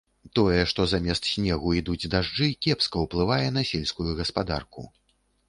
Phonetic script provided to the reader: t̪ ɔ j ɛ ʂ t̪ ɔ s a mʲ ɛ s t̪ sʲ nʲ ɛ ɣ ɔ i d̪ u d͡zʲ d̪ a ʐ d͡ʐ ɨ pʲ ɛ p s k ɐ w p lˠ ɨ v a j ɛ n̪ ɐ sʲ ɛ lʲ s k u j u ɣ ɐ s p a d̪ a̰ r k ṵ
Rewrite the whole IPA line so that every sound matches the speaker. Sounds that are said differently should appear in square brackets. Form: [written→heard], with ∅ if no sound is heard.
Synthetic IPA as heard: t̪ ɔ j ɛ ʂ t̪ ɔ [s→z] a mʲ ɛ s t̪ sʲ nʲ ɛ ɣ [ɔ→u] i d̪ u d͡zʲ d̪ a ʐ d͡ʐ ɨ [pʲ→kʲ] ɛ p s k ɐ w p lˠ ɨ v a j ɛ n̪ ɐ sʲ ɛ lʲ s k u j u ɣ ɐ s p a d̪ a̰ r k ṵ